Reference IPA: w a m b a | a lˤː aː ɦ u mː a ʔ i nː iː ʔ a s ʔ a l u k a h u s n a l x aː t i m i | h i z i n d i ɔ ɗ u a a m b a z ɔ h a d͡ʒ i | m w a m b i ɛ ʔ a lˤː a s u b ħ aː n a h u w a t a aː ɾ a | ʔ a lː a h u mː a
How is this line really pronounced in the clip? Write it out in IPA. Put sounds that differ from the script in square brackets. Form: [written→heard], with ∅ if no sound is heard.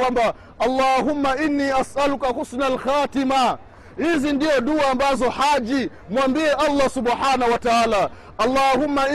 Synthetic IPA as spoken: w a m b a | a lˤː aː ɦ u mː a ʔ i nː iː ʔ a s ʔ a l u k a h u s n a l x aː t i m [i→a] | h i z i n d i ɔ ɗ u a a m b a z ɔ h a d͡ʒ i | m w a m b i ɛ ʔ a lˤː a s u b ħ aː n a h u w a t a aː [ɾ→l] a | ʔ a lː a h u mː a